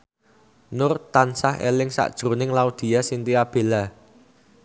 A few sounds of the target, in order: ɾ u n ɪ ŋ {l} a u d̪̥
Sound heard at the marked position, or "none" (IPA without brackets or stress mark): l